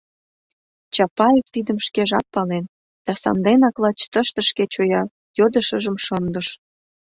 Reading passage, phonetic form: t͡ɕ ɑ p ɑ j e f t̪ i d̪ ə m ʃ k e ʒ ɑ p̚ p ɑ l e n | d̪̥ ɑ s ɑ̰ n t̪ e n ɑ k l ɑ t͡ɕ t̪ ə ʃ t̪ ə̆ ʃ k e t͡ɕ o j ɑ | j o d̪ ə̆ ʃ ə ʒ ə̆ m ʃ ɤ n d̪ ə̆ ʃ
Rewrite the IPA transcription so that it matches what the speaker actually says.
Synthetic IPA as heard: t͡ɕ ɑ p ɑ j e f t̪ i d̪ ə m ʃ k e ʒ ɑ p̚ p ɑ l e n | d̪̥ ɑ s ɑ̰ n d̪ e n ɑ k l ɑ t͡ɕ t̪ ə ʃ t̪ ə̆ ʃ k e t͡ɕ o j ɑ | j o d̪ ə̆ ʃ ə ʒ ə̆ m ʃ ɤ n d̪ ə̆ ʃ